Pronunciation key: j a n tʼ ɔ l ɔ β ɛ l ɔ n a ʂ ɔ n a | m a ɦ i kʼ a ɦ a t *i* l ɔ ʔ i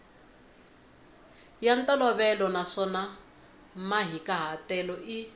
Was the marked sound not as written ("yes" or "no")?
yes